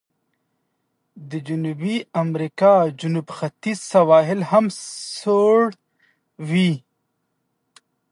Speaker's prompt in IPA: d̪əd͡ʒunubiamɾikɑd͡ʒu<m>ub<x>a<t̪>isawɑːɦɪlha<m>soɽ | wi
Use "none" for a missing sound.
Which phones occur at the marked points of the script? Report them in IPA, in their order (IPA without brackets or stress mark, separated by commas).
n, x, t̪, m